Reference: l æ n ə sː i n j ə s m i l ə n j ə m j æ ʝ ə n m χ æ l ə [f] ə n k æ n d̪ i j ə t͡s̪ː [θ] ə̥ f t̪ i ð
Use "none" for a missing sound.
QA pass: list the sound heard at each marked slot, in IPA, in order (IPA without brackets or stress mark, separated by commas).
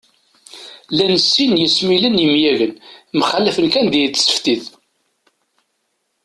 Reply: f, s